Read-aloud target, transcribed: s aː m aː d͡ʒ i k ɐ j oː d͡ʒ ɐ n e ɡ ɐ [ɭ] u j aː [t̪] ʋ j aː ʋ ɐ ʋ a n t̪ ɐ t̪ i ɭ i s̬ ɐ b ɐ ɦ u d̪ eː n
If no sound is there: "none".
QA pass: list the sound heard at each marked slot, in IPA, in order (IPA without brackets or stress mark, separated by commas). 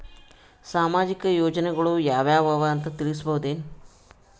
ɭ, none